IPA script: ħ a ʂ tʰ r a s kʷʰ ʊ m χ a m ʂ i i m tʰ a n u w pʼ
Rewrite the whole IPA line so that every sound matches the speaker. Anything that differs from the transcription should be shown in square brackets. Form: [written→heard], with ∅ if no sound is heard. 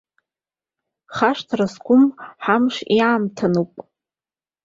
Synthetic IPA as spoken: [ħ→χ] a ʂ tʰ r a s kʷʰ ʊ m [χ→ħ] a m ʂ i [i→a] m tʰ a n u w pʼ